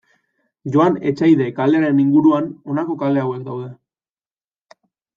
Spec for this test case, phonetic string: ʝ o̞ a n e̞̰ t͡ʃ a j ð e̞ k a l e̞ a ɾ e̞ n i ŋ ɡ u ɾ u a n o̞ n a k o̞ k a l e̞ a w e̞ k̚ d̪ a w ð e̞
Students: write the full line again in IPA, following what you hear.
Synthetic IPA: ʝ o̞ a n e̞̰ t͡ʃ a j ð e̞ k a l e̞ a ɾ e̞ n i ŋ ɡ u ɾ u a n o̞ n a k o̞ k a l e̞ a w e̞ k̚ d̪ a w ð e̞